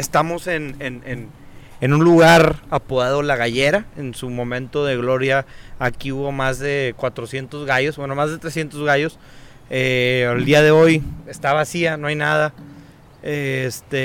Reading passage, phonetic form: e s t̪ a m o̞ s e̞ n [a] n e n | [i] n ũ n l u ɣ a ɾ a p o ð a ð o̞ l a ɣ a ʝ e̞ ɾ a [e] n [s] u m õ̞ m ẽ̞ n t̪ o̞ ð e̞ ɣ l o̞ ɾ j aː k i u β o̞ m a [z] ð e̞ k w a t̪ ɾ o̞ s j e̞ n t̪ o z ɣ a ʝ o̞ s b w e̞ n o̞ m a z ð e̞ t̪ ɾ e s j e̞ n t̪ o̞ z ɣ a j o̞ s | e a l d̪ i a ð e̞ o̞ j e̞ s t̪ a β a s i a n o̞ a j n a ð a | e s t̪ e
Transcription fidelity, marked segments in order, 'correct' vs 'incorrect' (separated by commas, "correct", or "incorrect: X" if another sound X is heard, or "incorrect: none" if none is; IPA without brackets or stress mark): incorrect: e, incorrect: e, correct, correct, correct